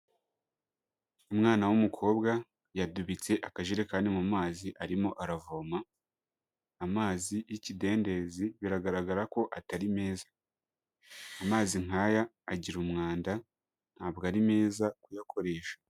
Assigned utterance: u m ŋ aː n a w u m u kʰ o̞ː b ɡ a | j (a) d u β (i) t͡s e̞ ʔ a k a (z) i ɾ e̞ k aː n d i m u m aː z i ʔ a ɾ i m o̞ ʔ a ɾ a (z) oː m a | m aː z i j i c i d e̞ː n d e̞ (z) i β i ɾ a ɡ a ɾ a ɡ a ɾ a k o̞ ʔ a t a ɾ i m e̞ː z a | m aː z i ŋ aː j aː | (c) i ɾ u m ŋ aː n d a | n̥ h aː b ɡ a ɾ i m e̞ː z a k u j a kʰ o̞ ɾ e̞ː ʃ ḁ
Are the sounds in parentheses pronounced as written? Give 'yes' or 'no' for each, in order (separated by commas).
yes, yes, no, no, yes, no